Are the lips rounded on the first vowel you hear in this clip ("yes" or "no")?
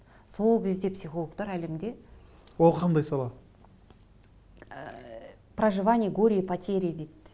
yes